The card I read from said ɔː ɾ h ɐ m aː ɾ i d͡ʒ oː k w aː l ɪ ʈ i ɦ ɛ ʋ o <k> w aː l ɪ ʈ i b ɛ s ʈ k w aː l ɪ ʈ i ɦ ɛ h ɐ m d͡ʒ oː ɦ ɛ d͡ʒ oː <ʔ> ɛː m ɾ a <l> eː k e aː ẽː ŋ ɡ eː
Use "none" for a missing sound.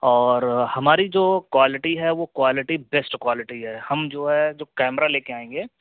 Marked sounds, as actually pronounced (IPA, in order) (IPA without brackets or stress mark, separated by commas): k, k, l